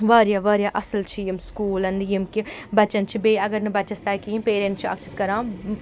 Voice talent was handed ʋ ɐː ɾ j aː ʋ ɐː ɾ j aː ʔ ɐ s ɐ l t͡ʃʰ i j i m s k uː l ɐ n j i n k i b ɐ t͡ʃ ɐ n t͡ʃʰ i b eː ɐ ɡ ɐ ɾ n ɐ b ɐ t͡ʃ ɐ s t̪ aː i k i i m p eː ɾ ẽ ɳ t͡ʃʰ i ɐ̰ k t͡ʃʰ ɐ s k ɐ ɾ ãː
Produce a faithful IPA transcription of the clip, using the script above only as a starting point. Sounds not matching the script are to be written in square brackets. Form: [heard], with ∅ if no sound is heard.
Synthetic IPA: ʋ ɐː ɾ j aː ʋ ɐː ɾ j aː ʔ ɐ s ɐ l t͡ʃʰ i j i m s k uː l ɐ n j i [m] k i b ɐ t͡ʃ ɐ n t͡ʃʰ i b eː ɐ ɡ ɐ ɾ n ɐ b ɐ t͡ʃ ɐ s t̪ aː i k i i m p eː ɾ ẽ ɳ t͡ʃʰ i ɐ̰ k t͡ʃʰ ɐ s k ɐ ɾ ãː